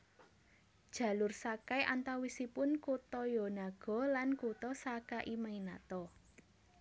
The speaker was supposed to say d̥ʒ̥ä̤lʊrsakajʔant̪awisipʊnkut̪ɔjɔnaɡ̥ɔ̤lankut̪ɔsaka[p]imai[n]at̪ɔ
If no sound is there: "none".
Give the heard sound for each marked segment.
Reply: ʔ, n

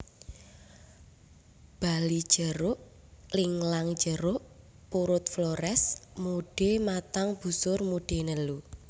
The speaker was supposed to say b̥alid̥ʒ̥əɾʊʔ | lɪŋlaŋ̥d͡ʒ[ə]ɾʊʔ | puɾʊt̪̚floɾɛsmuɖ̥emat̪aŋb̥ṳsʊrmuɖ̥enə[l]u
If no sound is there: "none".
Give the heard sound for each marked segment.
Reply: ə, l

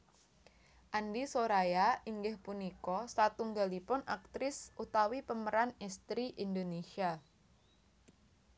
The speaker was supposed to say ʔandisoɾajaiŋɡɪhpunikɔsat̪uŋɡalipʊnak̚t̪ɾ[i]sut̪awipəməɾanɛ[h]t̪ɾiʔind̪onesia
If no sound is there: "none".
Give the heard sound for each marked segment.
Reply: ɪ, s

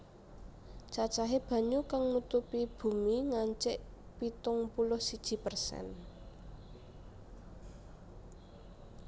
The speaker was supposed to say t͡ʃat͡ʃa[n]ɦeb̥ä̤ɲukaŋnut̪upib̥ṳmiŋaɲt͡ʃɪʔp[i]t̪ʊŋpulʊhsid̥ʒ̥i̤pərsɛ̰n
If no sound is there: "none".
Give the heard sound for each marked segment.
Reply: none, i

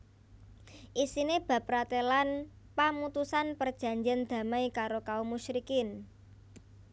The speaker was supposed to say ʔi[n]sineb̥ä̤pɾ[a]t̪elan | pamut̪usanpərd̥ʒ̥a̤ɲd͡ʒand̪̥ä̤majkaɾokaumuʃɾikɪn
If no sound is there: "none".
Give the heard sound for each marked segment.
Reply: none, a

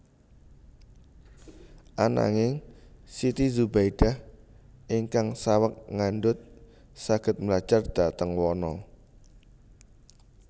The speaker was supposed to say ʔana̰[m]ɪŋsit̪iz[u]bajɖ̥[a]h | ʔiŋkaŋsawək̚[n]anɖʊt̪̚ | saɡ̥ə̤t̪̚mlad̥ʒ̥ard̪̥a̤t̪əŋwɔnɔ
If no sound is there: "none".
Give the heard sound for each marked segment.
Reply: ŋ, u, a, ŋ

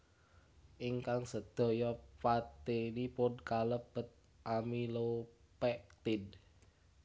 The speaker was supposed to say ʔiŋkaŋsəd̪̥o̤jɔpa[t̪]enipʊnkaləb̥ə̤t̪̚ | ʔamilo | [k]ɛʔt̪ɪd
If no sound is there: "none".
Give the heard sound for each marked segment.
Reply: t̪, p

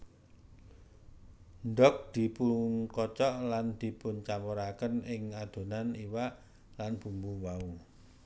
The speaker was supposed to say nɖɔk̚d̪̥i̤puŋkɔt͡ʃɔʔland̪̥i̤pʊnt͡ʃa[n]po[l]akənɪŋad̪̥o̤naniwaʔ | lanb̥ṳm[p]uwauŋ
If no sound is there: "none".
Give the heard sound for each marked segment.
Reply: m, ɾ, b

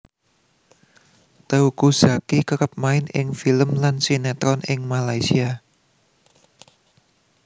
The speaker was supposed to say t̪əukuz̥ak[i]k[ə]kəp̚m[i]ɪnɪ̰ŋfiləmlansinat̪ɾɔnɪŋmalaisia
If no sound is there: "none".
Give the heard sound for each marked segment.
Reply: i, ə, a

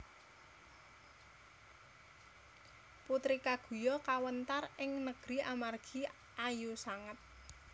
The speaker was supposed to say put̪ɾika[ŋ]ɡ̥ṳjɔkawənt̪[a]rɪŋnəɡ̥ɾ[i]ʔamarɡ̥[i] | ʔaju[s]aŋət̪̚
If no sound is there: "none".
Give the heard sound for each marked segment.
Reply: none, a, i, i, s

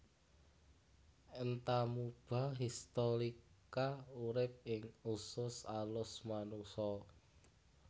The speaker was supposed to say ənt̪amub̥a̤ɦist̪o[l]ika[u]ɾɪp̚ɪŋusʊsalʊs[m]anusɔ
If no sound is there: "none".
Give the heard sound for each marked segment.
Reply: ɾ, u, m

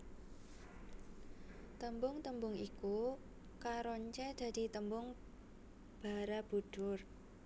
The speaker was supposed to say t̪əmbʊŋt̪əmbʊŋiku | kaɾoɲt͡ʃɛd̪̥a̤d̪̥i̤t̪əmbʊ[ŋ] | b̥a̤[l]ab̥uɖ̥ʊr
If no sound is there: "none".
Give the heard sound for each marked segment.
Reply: ŋ, ɾ

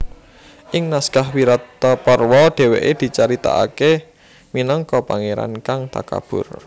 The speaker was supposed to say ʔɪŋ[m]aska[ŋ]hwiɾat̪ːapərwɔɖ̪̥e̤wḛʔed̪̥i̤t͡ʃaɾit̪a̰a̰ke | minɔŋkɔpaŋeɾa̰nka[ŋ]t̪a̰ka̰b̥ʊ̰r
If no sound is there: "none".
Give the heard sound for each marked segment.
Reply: n, none, ŋ

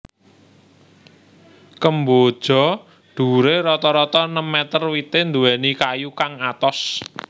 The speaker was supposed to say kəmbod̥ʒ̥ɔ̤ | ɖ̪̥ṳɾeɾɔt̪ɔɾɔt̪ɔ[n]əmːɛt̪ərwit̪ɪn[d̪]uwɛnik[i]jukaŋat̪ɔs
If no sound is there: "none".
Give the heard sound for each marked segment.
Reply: n, d̪, a

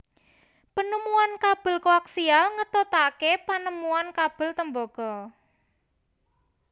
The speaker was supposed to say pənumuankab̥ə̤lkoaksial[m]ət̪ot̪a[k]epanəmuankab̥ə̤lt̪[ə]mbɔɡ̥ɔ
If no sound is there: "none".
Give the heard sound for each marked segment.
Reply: ŋ, k, ə

